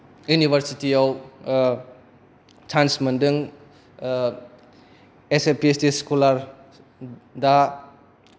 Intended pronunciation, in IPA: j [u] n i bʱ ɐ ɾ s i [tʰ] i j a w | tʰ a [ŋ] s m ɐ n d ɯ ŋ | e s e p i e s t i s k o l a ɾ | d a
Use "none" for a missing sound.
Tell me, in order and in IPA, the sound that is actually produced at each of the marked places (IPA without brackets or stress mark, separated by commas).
u, t, n